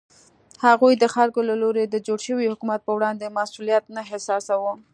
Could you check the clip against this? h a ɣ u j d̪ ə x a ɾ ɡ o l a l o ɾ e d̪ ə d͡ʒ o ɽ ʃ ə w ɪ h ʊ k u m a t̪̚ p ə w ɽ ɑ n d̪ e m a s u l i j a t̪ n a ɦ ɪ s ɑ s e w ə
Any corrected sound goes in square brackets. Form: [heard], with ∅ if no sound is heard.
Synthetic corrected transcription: h a ɣ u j d̪ ə x a ɾ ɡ o l a l o ɾ e d̪ ə d͡ʒ o ɽ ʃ ə w [i] h ʊ k u m a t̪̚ p ə w ɽ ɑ n d̪ e m a s u l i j a t̪ n a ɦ ɪ s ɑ s [a] w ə